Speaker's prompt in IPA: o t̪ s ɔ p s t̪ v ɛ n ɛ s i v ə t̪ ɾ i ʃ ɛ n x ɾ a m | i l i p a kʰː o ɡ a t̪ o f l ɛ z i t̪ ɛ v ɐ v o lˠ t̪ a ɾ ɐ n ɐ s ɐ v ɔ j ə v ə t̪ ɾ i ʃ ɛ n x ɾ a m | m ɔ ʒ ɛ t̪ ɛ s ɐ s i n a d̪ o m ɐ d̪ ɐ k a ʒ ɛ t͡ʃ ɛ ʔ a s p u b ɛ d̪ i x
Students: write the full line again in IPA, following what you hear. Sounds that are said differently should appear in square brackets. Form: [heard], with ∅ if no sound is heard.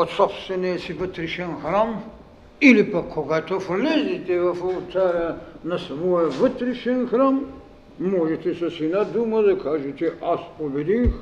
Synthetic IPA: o t̪ s ɔ p s t̪ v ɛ n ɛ s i v ə t̪ ɾ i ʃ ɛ n x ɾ a m | i l i p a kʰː o ɡ a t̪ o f l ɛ z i t̪ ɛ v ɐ [f] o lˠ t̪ a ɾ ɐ n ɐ s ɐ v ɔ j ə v ə t̪ ɾ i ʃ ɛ n x ɾ a m | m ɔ ʒ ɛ t̪ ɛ s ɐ s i n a d̪ [u] m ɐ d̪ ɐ k a ʒ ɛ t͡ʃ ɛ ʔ a s p [o] b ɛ d̪ i x